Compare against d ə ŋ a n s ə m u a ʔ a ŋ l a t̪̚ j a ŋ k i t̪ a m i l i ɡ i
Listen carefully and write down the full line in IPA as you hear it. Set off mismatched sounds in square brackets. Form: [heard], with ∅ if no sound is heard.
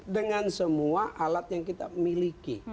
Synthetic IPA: d ə ŋ a n s ə m u a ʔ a [∅] l a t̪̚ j a ŋ k i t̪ a m i l i [k] i